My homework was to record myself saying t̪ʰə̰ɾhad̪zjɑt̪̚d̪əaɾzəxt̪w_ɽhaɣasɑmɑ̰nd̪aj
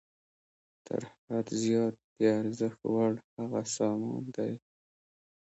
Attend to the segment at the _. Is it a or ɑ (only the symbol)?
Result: a